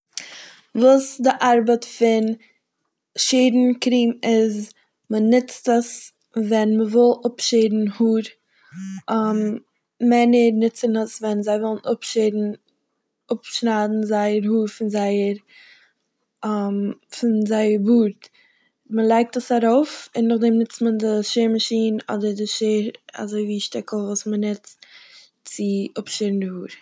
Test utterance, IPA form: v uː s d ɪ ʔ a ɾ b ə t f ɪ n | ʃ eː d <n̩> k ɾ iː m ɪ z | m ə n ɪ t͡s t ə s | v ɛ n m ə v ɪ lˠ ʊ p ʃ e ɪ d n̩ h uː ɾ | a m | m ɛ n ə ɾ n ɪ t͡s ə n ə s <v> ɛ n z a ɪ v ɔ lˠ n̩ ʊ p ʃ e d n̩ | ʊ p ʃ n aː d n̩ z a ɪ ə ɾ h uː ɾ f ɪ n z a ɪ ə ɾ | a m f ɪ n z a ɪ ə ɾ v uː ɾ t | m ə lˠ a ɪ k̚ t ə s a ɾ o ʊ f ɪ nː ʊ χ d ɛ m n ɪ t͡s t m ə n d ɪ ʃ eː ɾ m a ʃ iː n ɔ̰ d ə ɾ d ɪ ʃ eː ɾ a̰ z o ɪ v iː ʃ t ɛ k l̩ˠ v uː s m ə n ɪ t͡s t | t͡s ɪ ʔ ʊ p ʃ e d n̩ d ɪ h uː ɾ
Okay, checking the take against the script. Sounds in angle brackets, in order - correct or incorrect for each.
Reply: correct, correct

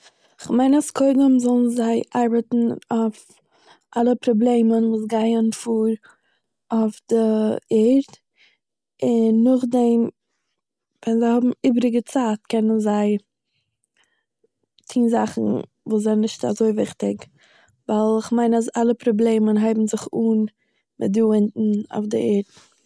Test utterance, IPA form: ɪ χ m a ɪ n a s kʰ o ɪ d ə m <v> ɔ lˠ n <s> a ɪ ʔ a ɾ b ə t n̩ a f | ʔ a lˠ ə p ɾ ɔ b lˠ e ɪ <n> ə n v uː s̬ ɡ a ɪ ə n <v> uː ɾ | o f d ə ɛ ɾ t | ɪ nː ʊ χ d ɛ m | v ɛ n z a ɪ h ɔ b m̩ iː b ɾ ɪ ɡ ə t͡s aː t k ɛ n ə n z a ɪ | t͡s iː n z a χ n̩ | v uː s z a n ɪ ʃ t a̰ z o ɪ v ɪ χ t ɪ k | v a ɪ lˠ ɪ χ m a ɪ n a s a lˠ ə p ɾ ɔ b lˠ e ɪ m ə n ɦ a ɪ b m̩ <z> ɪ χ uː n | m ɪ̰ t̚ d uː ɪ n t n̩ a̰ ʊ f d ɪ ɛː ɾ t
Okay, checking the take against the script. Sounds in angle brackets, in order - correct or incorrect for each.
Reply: incorrect: z, incorrect: z, incorrect: m, incorrect: f, correct

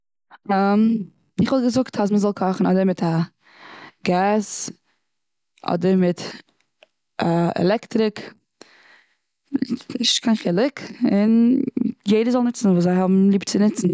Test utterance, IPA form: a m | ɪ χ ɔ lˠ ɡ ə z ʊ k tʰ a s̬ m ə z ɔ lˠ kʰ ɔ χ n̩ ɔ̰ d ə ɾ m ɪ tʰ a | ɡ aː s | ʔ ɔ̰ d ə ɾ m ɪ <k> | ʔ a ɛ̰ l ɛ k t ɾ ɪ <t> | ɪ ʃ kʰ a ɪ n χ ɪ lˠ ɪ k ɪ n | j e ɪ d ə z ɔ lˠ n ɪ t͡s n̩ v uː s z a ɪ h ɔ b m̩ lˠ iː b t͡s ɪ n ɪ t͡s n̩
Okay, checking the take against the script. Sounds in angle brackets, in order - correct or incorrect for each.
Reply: incorrect: t, incorrect: k

